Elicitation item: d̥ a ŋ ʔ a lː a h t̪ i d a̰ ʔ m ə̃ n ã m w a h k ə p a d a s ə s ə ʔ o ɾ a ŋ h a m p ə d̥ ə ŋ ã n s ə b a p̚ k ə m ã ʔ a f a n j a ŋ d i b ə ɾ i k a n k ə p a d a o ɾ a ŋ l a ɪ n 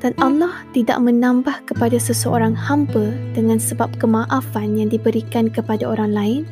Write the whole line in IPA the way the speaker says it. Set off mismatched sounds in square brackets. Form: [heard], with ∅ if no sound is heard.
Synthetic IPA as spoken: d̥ a [n] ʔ a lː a h t̪ i d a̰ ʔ m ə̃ n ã m [b] a h k ə p a d a s ə s ə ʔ o ɾ a ŋ h a m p ə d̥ ə ŋ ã n s ə b a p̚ k ə m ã ʔ a f a n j a ŋ d i b ə ɾ i k a n k ə p a d a o ɾ a ŋ l a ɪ n